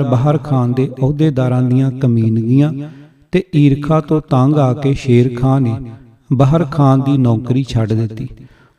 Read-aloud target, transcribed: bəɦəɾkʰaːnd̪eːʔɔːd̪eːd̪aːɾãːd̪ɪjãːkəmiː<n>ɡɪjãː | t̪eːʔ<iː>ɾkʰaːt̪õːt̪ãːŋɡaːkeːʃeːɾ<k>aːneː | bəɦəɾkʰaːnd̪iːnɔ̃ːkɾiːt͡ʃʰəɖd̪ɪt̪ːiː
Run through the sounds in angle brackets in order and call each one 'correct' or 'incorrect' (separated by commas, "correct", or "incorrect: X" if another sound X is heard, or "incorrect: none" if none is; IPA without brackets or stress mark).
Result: correct, correct, incorrect: kʰ